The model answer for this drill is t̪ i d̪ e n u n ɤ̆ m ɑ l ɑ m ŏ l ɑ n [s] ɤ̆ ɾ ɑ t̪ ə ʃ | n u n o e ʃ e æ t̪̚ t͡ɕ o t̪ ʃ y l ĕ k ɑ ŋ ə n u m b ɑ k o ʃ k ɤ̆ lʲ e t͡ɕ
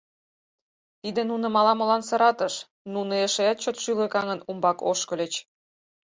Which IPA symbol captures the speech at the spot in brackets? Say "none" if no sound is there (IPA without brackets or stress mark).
s